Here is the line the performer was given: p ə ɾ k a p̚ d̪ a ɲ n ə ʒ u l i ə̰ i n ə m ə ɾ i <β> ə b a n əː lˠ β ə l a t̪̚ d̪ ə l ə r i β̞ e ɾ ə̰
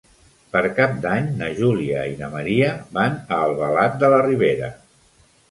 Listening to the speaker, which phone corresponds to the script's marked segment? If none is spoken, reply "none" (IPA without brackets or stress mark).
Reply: none